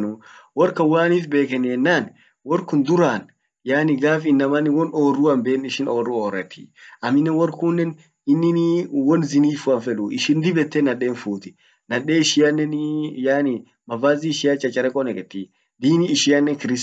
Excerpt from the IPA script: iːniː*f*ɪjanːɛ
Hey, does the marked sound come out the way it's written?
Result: no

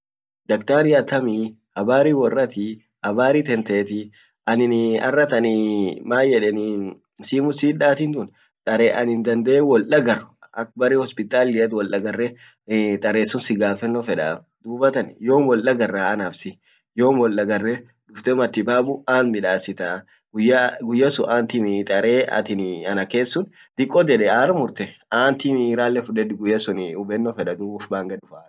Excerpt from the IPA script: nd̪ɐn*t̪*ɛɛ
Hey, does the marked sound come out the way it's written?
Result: no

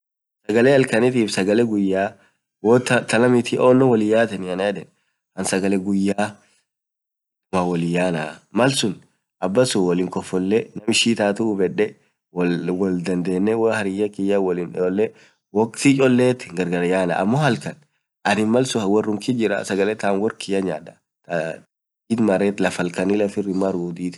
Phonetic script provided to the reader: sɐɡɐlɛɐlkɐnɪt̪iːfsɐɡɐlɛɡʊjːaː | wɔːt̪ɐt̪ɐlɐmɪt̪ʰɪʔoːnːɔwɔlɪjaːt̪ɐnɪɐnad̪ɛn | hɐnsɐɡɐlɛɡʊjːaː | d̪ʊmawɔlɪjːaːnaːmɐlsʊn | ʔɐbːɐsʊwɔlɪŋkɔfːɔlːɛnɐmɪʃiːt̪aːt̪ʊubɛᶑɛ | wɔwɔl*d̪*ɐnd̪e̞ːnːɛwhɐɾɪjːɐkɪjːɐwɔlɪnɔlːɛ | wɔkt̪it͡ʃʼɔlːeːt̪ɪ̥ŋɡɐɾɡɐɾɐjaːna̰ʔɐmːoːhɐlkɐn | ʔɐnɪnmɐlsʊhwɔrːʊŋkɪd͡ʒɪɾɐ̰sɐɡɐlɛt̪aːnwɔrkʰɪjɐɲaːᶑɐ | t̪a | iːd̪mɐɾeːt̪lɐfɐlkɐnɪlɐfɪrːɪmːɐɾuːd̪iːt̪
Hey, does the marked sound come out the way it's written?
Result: yes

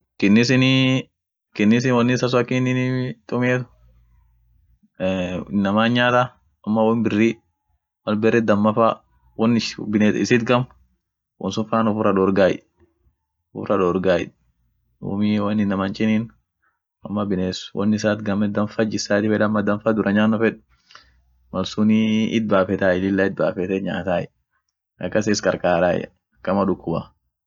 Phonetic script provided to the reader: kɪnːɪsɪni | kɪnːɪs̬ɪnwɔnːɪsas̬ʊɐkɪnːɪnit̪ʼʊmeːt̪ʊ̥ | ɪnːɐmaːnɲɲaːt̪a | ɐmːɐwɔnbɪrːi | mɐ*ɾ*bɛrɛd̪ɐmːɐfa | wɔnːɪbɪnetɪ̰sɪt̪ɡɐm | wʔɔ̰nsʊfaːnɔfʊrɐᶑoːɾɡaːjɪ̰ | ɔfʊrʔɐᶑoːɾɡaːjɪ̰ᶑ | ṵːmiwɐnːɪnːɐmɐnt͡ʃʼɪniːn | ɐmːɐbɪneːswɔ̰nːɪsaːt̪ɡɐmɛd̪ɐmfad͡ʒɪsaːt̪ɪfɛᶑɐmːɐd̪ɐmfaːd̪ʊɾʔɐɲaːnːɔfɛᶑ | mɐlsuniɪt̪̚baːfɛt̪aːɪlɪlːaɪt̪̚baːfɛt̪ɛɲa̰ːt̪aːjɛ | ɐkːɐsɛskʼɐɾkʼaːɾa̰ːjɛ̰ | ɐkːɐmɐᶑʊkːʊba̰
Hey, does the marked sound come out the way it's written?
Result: no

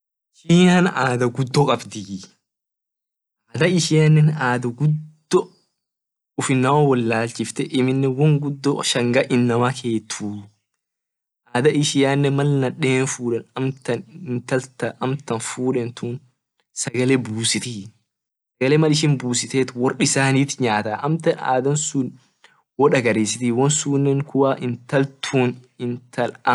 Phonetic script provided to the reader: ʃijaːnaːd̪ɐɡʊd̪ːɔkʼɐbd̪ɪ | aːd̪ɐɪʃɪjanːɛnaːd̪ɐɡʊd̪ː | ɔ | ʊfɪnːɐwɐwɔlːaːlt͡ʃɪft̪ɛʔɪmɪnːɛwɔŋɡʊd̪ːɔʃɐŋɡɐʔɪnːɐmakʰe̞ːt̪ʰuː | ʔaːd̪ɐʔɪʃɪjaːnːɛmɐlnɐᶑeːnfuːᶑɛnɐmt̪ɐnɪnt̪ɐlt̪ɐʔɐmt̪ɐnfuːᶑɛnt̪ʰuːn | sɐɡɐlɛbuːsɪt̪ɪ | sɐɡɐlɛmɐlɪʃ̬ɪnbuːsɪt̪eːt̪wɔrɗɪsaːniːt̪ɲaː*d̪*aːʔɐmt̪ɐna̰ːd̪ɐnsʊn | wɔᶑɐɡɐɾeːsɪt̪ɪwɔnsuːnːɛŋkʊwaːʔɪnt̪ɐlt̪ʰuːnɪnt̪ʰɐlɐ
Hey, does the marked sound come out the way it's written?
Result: no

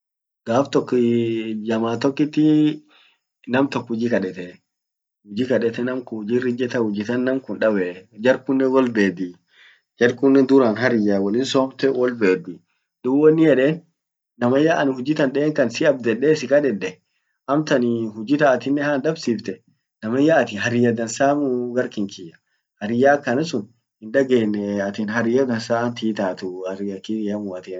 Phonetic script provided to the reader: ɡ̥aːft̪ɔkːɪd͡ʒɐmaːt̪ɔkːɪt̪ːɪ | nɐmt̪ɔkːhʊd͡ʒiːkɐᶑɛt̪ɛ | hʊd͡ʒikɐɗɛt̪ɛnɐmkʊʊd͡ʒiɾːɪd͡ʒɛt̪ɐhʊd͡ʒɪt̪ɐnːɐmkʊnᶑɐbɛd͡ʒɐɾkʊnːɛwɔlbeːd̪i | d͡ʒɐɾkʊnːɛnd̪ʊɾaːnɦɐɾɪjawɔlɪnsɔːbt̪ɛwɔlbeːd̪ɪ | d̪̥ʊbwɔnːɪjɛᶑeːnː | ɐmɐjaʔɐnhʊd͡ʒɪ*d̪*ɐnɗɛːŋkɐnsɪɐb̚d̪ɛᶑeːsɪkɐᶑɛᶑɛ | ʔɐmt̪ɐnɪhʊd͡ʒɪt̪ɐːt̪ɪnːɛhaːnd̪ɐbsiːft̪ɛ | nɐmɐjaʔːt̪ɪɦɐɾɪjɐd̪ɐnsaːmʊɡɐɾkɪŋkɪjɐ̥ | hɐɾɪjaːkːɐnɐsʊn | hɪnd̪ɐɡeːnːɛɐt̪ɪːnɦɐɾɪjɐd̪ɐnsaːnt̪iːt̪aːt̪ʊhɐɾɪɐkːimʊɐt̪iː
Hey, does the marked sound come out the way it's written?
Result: no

